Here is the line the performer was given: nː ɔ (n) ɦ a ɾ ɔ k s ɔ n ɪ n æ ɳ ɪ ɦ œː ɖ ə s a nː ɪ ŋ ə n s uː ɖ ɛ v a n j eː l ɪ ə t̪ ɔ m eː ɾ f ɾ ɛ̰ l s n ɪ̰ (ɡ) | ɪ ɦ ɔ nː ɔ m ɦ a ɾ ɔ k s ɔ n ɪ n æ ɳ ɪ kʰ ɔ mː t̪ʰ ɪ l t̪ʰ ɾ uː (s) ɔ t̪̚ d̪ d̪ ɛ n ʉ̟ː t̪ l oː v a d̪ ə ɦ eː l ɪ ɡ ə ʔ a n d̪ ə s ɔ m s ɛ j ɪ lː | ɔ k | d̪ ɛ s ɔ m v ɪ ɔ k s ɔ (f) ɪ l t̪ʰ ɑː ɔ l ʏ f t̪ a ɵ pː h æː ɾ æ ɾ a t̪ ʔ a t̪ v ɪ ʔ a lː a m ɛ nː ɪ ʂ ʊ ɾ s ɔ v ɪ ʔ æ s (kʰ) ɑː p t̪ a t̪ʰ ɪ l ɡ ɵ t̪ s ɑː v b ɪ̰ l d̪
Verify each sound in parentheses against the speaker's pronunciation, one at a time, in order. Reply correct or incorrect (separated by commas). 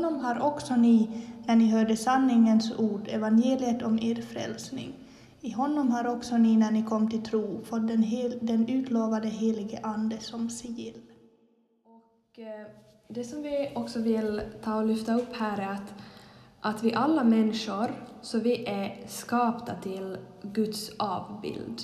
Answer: incorrect, incorrect, incorrect, incorrect, incorrect